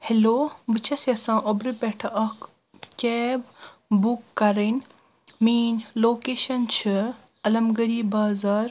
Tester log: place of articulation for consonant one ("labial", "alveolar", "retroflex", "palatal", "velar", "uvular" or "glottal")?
glottal